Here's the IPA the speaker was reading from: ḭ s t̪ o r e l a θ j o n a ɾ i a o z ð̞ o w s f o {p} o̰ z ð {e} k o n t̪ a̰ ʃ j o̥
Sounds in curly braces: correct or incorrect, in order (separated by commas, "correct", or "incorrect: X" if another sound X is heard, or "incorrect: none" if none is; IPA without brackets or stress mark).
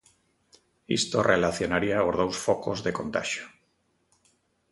incorrect: k, correct